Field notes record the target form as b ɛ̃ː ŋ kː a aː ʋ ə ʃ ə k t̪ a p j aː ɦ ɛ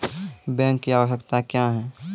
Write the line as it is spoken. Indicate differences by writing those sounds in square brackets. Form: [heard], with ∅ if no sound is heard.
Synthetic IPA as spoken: b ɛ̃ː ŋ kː [i] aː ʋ ə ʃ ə k t̪ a [k] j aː ɦ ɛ